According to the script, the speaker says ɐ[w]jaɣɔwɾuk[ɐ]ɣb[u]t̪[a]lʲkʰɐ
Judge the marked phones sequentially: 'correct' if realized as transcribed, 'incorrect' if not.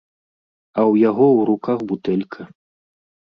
correct, incorrect: a, correct, incorrect: ɛ

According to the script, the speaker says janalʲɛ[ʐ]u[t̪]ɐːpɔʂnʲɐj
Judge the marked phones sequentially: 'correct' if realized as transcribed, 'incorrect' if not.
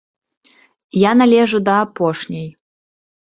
correct, incorrect: d̪

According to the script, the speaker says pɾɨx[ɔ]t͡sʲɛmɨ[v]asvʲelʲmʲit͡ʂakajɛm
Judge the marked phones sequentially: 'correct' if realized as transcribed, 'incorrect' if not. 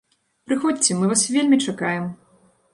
correct, correct

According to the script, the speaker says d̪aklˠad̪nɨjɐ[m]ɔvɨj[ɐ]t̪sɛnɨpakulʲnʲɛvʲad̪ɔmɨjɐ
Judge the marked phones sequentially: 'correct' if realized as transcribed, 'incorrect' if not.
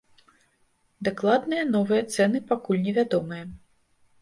incorrect: n, correct

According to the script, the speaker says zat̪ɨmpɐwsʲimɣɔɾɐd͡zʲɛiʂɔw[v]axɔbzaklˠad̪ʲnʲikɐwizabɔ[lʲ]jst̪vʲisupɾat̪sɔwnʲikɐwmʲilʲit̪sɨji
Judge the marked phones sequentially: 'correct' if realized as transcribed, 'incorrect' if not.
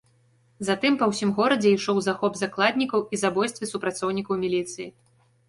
incorrect: z, incorrect: none

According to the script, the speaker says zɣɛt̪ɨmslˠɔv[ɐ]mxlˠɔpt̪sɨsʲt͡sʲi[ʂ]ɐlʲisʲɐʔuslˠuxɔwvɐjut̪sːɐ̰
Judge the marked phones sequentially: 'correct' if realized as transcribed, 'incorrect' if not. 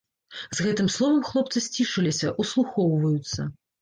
correct, correct

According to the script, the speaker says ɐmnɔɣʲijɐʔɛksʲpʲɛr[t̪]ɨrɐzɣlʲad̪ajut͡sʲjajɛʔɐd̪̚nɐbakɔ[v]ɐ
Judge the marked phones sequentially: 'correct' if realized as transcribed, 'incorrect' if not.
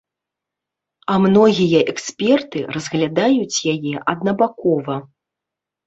correct, correct

